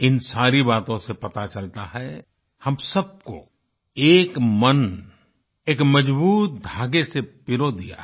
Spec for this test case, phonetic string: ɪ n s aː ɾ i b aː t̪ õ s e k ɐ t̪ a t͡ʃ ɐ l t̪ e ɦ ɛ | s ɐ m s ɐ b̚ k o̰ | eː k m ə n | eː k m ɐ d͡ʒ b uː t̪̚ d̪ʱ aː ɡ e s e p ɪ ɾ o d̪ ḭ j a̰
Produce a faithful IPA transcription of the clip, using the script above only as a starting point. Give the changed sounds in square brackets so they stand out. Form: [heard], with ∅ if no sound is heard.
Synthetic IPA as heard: ɪ n s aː ɾ i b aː t̪ õ s e [p] ɐ t̪ a t͡ʃ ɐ l t̪ [a] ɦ ɛ | [h] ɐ m s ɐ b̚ k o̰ | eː k m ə n | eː k m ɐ d͡ʒ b uː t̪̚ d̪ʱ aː ɡ e s e p ɪ ɾ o d̪ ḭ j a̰